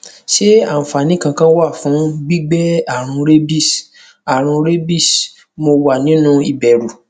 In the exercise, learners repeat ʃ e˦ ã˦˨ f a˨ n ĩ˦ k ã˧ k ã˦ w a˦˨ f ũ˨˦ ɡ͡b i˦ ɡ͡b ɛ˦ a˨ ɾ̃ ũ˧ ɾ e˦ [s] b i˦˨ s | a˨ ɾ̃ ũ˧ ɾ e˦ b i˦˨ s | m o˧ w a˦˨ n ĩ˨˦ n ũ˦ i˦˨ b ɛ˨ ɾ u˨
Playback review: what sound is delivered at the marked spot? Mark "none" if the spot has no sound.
none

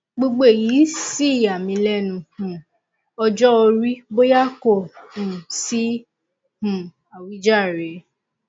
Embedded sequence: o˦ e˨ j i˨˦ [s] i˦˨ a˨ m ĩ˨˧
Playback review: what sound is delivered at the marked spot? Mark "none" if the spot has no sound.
s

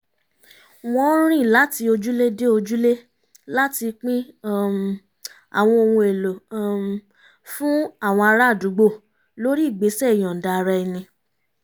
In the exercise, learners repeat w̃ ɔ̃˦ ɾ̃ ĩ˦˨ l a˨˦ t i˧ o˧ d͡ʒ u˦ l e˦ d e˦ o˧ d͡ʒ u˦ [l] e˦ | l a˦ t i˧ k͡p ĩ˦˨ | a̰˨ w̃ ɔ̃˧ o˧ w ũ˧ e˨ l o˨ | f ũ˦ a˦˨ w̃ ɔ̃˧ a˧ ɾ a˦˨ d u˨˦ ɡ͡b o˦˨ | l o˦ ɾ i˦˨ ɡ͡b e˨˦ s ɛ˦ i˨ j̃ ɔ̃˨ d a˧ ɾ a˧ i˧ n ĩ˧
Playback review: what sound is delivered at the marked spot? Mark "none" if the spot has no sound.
l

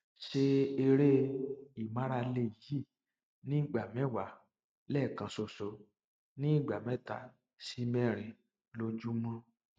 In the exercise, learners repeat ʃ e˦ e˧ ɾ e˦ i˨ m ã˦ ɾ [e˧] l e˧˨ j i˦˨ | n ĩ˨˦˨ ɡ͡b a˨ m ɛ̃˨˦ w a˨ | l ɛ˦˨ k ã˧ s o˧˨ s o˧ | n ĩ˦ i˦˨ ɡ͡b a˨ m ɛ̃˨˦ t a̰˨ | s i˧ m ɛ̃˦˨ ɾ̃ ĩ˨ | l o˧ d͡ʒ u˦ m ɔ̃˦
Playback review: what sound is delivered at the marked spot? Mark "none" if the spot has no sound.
a˧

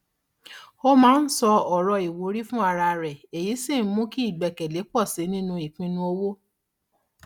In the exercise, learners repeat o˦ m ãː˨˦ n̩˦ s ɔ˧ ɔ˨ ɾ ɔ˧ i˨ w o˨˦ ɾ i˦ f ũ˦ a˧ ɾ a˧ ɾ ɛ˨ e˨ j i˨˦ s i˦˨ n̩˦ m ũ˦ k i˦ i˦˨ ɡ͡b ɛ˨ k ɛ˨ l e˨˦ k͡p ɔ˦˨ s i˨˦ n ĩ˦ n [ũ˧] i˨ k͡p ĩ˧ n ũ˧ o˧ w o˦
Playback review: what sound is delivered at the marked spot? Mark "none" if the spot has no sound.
ũ˧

